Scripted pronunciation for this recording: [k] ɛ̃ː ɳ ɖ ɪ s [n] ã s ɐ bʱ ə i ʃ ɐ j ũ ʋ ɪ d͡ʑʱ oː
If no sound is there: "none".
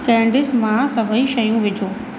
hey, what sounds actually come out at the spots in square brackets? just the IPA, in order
k, m

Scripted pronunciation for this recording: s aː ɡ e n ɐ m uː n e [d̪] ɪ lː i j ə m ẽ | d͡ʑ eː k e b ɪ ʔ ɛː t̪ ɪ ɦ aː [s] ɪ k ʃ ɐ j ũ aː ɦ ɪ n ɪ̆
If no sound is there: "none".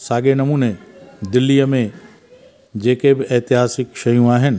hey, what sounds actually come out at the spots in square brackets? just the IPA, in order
d̪, s

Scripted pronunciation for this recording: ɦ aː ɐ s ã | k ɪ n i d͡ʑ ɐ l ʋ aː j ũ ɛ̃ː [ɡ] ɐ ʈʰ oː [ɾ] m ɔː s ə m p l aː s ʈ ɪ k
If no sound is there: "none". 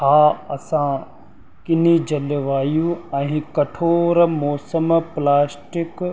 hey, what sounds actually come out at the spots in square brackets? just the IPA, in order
k, ɾ

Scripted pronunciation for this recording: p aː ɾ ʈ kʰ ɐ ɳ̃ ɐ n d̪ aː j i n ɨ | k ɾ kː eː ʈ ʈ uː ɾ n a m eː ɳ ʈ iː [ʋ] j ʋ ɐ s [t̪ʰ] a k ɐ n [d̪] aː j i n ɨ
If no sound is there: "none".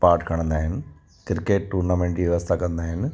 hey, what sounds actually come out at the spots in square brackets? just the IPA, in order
ʋ, t̪ʰ, d̪

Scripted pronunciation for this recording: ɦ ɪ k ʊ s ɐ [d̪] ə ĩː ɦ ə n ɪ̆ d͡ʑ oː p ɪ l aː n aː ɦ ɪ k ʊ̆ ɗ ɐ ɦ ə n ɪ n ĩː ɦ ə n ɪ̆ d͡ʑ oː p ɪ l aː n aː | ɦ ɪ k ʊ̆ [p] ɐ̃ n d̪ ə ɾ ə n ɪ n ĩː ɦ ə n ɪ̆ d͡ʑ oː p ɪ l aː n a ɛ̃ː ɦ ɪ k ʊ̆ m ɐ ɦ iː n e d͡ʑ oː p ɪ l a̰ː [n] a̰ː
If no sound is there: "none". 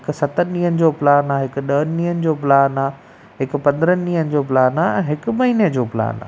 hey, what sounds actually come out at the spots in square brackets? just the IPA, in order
t̪, p, n

